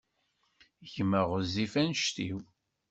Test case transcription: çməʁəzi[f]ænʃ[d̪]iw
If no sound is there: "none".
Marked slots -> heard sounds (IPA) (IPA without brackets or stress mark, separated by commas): f, t̪